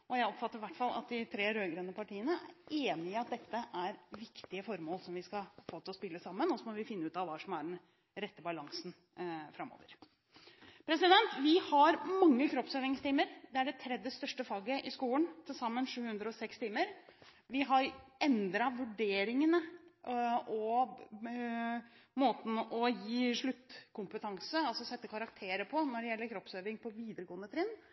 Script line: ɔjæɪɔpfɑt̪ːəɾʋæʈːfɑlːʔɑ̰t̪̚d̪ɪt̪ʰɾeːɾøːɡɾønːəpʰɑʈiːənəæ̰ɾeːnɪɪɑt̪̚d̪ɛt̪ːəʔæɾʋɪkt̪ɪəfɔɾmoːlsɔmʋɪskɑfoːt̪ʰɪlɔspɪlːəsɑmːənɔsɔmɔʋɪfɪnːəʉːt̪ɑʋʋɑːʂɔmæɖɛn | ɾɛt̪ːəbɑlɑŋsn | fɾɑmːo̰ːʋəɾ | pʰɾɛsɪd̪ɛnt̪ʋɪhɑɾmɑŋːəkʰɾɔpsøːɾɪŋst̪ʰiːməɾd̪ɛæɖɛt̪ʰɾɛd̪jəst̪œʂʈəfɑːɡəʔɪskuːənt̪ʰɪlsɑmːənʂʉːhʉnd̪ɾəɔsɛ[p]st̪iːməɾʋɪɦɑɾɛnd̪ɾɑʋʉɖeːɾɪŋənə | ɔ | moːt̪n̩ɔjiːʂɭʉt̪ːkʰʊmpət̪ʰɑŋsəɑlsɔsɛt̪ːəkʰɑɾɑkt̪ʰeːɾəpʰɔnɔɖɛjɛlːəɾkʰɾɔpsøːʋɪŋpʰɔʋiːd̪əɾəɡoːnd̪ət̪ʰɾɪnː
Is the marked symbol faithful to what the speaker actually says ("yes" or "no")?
no